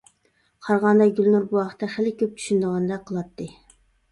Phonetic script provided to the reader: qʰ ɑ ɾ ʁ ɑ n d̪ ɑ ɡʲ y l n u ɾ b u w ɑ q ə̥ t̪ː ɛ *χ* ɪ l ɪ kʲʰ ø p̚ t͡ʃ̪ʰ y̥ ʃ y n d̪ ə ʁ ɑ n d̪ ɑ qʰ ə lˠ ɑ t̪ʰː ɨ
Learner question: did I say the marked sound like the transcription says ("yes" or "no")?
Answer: yes